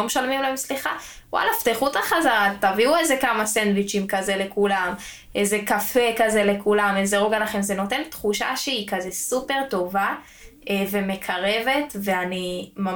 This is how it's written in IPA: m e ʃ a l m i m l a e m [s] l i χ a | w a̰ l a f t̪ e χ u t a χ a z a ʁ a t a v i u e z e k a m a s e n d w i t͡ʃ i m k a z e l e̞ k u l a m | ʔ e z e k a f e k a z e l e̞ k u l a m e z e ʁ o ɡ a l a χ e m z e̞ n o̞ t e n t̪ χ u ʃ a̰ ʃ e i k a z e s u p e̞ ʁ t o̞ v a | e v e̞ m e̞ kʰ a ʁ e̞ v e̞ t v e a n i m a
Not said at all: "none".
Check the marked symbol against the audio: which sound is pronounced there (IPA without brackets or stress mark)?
s